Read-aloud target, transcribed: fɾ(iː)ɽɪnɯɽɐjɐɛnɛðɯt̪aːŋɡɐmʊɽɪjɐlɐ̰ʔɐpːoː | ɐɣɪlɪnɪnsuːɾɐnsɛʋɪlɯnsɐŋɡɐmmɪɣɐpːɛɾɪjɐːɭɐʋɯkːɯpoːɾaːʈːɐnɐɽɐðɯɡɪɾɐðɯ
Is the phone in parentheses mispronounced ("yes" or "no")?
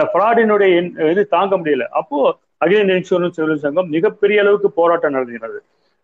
yes